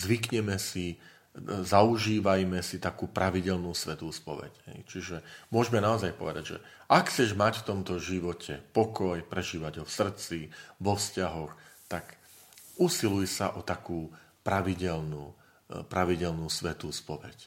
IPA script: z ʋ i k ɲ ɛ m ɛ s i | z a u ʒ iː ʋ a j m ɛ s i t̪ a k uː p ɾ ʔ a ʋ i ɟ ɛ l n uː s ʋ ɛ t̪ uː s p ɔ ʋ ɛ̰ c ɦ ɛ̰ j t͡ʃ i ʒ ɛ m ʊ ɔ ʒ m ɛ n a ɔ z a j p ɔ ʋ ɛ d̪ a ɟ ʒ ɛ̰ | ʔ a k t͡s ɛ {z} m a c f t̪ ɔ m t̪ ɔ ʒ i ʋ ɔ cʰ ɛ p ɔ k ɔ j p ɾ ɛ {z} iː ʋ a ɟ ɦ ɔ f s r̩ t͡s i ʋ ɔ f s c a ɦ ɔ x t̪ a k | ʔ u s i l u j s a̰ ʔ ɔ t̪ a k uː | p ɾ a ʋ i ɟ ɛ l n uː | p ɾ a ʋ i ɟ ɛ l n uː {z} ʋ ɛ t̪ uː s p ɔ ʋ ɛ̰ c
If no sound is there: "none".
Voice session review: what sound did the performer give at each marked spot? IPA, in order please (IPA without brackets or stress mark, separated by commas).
ʒ, ʒ, s